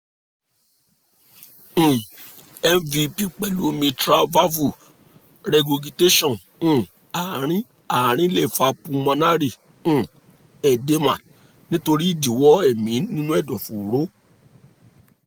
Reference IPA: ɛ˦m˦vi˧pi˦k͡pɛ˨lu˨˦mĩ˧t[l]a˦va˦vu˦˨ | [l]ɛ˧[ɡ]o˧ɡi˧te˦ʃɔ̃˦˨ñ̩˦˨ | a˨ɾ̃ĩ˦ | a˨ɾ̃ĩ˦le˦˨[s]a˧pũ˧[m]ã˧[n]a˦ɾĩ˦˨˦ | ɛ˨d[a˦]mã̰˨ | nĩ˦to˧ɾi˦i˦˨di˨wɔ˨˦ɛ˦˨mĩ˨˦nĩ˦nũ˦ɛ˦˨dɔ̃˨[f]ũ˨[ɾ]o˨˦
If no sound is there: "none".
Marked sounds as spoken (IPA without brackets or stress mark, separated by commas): ɾ, ɾ, ɡ, f, m, n, e˦, f, ɾ